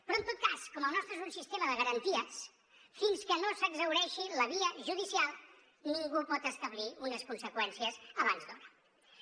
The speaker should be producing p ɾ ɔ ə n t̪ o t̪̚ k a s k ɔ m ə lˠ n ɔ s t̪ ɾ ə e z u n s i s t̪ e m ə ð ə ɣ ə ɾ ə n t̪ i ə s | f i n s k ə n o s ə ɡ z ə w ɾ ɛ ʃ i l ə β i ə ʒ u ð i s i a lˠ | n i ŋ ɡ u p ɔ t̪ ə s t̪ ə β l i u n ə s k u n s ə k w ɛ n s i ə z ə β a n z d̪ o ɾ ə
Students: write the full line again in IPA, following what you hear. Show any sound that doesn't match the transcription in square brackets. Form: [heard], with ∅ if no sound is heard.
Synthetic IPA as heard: p ɾ ɔ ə n t̪ o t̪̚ k a s k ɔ m ə lˠ n ɔ s t̪ ɾ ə e z u n s i s t̪ e m ə ð ə ɣ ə ɾ ə n t̪ i ə s | f i n s k ə n o s ə ɡ z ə w ɾ ɛ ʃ i l ə β i ə ʒ u ð i s i a lˠ | n i ŋ ɡ u p ɔ t̪ ə s t̪ ə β l i u n ə s k u n s ə k w ɛ n s i ə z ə β a n z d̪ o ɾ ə